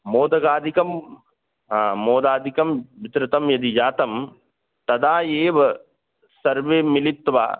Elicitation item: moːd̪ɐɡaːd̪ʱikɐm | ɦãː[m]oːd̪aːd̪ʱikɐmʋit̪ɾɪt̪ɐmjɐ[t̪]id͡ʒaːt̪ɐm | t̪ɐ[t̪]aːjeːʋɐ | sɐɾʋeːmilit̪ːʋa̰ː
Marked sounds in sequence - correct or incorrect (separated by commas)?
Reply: correct, incorrect, incorrect